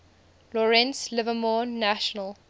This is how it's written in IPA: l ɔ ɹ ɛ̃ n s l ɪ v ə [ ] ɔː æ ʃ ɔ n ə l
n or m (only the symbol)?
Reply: m